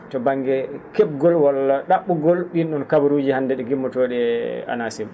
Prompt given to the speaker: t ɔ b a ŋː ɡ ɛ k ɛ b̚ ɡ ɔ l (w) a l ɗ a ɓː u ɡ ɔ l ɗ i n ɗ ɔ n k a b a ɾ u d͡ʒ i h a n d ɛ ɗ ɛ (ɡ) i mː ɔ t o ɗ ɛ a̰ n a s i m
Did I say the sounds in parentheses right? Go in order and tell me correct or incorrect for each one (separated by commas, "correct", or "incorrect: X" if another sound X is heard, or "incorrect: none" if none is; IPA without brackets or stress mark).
correct, correct